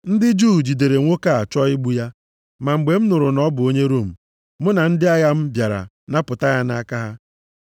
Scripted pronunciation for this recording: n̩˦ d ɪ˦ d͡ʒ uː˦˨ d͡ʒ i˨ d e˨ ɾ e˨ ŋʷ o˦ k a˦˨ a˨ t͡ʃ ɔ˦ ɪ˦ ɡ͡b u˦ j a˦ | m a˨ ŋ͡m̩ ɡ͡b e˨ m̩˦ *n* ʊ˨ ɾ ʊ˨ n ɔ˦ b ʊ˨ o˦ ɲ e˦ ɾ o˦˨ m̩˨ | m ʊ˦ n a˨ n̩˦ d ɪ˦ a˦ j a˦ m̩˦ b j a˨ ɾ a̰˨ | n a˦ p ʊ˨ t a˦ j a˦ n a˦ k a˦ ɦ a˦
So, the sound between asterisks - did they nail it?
yes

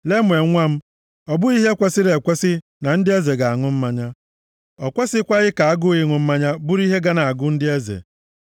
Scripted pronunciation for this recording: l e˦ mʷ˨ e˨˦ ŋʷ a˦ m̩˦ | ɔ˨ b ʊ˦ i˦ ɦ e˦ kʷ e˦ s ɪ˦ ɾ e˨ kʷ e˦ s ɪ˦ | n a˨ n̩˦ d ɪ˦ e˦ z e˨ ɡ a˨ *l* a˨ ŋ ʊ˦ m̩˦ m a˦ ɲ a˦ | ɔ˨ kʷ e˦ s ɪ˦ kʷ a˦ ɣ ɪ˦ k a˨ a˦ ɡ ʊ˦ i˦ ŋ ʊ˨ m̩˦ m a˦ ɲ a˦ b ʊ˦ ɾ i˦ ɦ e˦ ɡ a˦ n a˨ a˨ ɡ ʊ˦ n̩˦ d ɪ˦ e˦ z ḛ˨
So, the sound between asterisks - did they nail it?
no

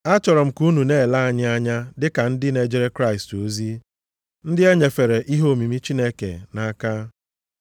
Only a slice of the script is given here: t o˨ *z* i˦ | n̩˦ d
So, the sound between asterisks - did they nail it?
yes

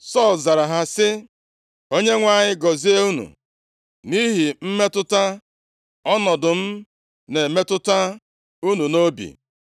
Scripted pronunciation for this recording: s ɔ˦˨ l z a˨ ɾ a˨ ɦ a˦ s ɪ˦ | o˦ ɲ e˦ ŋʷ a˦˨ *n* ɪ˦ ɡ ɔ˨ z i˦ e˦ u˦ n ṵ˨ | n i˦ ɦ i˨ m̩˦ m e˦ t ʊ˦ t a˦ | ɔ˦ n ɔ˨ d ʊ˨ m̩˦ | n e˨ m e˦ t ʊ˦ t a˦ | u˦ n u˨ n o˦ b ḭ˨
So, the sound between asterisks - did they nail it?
no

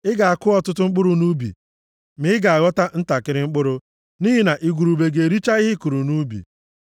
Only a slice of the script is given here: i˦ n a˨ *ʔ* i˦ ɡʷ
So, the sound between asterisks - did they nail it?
yes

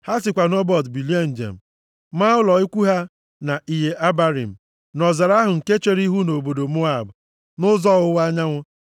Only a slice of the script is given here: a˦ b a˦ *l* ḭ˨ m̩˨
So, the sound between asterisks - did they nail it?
no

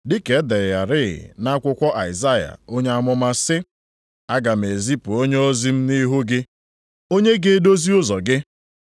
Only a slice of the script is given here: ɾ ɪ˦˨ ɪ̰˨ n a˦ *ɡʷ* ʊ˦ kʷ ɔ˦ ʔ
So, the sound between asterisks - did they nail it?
no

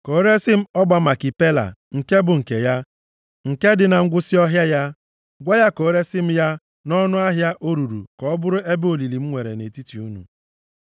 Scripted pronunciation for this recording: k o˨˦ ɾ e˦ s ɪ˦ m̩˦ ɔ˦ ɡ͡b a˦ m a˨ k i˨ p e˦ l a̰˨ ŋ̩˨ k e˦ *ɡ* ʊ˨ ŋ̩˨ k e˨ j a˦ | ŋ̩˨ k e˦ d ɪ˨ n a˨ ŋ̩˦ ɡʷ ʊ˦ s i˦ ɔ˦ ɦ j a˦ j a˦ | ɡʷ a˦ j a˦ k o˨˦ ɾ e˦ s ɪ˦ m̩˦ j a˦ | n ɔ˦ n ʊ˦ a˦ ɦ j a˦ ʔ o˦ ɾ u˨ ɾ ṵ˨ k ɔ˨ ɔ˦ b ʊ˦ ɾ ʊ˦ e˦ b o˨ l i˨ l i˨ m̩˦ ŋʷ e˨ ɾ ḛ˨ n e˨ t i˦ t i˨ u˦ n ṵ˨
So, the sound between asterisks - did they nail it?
no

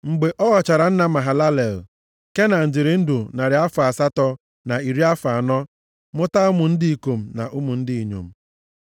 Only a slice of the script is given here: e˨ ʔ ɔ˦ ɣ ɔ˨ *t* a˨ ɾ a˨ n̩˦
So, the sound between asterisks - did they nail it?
no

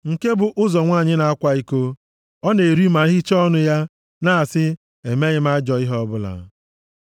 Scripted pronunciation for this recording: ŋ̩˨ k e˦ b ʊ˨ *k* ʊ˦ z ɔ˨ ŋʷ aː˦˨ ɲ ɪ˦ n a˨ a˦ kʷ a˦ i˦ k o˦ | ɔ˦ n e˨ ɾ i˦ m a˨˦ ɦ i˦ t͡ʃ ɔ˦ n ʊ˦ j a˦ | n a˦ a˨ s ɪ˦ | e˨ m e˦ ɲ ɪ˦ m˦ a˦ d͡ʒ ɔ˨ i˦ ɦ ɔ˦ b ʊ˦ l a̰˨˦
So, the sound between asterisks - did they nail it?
no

